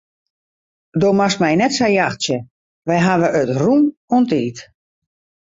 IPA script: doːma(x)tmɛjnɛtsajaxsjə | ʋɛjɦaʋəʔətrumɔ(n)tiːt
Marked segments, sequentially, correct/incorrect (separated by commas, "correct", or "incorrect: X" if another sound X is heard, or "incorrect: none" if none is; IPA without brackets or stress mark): incorrect: s, correct